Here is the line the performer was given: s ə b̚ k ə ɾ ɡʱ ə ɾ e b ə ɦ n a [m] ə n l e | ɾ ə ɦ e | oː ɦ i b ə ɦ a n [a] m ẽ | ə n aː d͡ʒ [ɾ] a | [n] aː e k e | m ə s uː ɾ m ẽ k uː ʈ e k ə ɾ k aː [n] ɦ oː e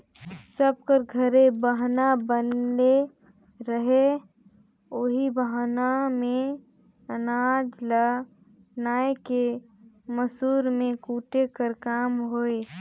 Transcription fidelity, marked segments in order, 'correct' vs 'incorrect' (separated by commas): incorrect, correct, incorrect, correct, incorrect